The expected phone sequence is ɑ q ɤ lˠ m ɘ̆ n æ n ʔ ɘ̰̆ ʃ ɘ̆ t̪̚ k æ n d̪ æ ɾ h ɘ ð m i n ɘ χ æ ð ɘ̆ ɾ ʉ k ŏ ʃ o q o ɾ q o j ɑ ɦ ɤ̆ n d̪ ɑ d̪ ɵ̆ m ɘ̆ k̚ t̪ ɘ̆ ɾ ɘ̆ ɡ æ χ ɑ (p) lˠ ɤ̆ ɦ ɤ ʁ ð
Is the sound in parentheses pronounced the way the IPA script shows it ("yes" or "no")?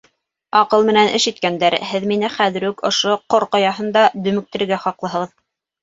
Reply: no